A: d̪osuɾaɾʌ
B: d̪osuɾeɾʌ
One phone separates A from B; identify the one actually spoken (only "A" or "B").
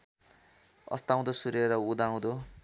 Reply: B